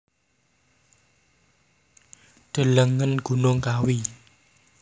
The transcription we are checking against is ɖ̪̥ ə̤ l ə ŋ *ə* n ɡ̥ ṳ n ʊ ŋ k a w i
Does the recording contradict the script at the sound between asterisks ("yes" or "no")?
no